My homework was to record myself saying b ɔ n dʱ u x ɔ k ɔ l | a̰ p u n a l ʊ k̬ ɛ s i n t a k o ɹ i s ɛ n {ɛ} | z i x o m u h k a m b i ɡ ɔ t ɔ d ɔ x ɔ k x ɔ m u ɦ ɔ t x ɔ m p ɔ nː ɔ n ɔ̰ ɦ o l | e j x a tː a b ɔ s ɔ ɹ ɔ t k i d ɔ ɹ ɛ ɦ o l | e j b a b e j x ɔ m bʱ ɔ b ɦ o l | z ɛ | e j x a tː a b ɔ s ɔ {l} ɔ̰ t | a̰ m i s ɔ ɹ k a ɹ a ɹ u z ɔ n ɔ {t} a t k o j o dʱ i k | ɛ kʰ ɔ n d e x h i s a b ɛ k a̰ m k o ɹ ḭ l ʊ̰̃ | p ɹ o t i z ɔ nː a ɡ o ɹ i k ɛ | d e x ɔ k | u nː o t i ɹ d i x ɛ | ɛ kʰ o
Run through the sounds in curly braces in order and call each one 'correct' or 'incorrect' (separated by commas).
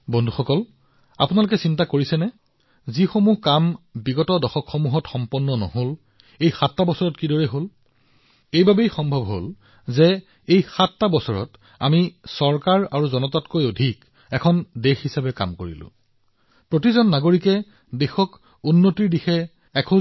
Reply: correct, incorrect, correct